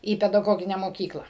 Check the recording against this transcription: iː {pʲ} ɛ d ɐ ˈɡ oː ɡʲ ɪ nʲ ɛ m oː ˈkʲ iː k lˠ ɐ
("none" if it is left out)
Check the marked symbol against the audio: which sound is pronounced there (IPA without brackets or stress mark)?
pʲ